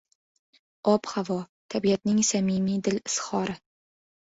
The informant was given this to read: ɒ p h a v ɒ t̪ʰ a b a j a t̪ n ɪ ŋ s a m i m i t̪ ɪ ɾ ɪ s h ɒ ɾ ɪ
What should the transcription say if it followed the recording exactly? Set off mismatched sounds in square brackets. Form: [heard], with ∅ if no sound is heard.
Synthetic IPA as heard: ɒ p h a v ɒ t̪ʰ a b [i] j a t̪ n ɪ ŋ s a m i m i [d̪] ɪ [l] ɪ s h ɒ ɾ ɪ